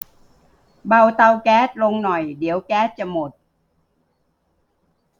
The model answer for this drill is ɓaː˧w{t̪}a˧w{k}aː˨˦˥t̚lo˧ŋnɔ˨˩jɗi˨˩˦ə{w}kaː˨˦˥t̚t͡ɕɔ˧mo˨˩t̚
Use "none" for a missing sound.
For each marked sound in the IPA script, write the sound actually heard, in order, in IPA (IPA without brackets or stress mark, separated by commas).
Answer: t̪, k, w